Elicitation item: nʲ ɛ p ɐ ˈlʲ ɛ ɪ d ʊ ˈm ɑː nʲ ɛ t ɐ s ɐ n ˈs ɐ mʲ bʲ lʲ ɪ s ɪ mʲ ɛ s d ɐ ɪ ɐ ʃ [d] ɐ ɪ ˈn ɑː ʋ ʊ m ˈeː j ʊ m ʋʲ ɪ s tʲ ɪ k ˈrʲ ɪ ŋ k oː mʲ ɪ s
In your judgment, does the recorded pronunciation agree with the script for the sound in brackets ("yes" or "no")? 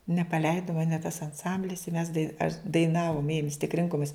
yes